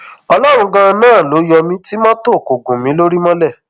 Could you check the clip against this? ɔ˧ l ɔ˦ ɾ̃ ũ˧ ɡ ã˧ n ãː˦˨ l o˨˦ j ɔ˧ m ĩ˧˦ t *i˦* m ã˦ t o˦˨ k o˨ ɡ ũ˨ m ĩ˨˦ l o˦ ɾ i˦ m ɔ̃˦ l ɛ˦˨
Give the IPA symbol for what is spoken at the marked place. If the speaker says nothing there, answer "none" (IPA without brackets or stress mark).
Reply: i˦